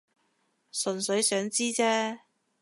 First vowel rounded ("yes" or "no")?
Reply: yes